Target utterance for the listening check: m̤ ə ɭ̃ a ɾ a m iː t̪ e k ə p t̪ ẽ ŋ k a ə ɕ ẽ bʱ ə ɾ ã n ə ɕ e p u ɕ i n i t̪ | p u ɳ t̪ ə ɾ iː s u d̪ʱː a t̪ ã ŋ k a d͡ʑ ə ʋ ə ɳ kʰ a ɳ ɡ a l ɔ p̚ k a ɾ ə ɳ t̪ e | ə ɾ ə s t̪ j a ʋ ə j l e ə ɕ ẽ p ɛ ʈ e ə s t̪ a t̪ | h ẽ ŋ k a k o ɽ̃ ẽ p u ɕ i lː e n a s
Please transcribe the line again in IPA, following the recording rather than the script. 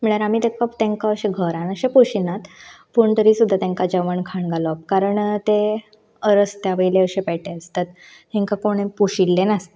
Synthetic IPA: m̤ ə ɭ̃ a ɾ a m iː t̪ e k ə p t̪ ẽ ŋ k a ə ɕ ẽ ɡʱ ə ɾ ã n ə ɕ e p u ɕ i n a t̪ | p u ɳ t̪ ə ɾ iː s u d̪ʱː a t̪ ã ŋ k a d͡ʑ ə ʋ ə ɳ kʰ a ɳ ɡ a l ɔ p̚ k a ɾ ə ɳ t̪ e | ə ɾ ə s t̪ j a ʋ ə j l e ə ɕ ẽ p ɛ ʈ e ə s t̪ a t̪ | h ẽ ŋ k a k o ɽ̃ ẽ p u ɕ i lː e n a s